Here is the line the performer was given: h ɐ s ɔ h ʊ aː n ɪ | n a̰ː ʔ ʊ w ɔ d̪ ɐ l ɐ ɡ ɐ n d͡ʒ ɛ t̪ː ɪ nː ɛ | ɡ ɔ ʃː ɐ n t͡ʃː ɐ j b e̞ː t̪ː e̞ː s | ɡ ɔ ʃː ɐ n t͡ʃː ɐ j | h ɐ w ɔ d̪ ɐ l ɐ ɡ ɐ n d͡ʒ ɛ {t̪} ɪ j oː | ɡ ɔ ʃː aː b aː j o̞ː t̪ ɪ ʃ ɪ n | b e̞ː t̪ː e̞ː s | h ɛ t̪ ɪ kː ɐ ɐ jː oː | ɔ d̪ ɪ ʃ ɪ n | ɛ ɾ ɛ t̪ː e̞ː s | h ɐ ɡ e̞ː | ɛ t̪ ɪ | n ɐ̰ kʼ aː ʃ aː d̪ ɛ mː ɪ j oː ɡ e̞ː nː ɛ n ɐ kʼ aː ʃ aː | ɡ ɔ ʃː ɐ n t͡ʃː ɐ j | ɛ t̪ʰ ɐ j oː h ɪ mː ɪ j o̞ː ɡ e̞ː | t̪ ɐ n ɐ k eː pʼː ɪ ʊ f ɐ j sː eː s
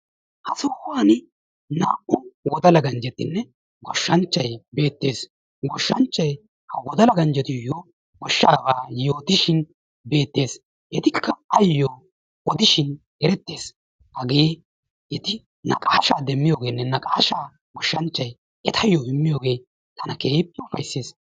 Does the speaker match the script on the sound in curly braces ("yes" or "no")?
yes